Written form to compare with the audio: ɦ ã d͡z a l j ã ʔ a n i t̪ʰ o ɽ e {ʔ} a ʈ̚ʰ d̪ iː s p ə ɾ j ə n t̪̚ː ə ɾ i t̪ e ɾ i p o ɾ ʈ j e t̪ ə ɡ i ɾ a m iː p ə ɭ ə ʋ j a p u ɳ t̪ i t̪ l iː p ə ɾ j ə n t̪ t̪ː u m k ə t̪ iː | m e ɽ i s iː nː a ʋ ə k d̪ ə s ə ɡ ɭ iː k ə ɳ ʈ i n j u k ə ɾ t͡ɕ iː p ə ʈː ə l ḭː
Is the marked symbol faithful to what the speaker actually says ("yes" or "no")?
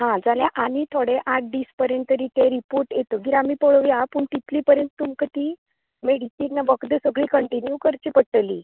yes